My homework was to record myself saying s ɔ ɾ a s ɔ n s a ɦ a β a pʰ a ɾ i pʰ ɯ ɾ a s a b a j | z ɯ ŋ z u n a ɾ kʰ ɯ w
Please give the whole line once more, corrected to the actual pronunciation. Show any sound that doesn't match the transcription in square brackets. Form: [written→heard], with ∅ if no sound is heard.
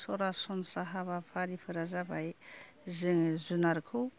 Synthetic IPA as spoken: s ɔ ɾ a s ɔ n s a ɦ a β a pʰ a ɾ i pʰ ɯ ɾ a [s→z] a b a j | z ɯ ŋ z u n a ɾ kʰ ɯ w

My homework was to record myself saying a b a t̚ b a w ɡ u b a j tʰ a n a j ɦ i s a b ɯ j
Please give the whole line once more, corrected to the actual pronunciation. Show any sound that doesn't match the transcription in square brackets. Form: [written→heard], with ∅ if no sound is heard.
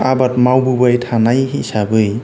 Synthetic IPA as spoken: a b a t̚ [b→m] a w [ɡ→b] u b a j tʰ a n a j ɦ i s a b ɯ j

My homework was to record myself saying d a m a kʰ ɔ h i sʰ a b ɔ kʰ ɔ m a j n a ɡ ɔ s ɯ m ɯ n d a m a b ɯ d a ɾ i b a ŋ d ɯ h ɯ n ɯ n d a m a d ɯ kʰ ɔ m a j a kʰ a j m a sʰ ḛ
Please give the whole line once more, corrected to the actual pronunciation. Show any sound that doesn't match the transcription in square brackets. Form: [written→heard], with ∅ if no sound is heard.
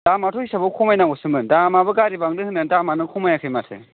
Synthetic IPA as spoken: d a m a [kʰ→tʰ] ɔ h i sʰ a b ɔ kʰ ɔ m a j n a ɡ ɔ s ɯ m ɯ n d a m a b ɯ [d→ɡ] a ɾ i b a ŋ d ɯ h ɯ n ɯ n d a m a [d→n] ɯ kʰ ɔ m a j a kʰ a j m a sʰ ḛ

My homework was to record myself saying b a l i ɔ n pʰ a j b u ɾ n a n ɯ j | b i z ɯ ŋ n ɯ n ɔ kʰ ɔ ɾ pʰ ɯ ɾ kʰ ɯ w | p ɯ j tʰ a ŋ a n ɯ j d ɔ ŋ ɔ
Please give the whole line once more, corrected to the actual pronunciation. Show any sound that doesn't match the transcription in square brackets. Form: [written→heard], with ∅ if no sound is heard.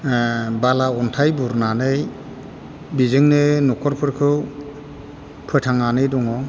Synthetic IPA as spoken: b a l [i→a] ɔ n [pʰ→tʰ] a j b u ɾ n a n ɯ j | b i z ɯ ŋ n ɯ n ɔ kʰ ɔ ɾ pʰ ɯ ɾ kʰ ɯ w | [p→pʰ] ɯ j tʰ a ŋ a n ɯ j d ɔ ŋ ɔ

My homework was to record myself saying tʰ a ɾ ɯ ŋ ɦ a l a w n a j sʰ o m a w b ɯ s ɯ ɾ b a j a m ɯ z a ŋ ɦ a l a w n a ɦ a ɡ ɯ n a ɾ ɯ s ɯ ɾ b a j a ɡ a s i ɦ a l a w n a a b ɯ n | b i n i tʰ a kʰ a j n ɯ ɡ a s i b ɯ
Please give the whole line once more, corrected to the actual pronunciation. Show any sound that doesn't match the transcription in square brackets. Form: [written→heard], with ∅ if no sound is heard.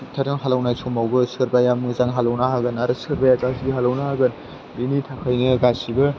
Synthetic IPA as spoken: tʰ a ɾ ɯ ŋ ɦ a l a w n a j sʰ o m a w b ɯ s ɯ ɾ b a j a m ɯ z a ŋ ɦ a l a w n a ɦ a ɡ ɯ n a ɾ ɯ s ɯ ɾ b a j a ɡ a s i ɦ a l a w n a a [b→ɡ] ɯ n | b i n i tʰ a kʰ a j n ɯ ɡ a s i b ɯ

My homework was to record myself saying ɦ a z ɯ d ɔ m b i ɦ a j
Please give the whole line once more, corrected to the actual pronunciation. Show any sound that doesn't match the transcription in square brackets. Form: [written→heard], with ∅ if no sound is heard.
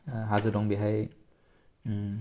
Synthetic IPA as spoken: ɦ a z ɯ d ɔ [m→ŋ] b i ɦ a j

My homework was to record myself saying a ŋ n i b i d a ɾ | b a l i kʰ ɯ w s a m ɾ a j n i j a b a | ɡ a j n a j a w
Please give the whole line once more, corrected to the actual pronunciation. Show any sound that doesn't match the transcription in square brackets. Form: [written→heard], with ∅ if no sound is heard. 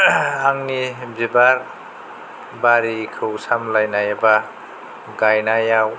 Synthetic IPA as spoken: a ŋ n i b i [d→b] a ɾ | b a [l→ɾ] i kʰ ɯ w s a m [ɾ→l] a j n [i→a] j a b a | ɡ a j n a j a w

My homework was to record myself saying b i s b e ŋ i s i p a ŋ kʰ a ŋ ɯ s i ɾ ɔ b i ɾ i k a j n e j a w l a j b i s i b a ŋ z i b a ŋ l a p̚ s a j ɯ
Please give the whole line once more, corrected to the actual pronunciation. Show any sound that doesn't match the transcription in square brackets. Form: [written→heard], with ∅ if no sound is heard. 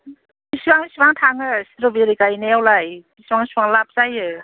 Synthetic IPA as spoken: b i s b [e→a] ŋ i s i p a ŋ [kʰ→tʰ] a ŋ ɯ s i ɾ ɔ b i ɾ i k a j n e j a w l a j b i s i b a ŋ [z→s] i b a ŋ l a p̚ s a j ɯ

